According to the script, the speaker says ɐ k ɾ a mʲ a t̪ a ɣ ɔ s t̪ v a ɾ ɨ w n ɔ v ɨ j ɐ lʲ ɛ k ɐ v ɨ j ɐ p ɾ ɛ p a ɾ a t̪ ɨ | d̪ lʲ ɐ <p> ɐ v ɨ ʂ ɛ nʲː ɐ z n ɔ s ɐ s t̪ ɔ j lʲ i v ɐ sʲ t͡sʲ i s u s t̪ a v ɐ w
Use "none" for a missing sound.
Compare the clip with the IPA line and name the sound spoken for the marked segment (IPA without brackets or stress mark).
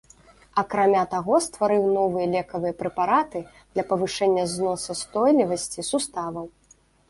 p